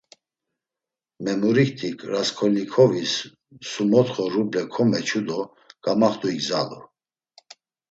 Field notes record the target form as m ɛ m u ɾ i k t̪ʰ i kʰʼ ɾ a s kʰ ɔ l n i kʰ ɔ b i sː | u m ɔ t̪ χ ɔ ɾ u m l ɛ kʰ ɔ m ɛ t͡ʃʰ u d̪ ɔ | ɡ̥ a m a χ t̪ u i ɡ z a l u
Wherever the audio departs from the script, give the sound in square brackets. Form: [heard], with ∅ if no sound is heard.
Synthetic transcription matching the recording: m ɛ m u ɾ i k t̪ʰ i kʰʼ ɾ a s kʰ ɔ l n i kʰ ɔ [v] i sː | u m ɔ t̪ χ ɔ ɾ u [b] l ɛ kʰ ɔ m ɛ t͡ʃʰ u d̪ ɔ | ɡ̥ a m a χ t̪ u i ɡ z a l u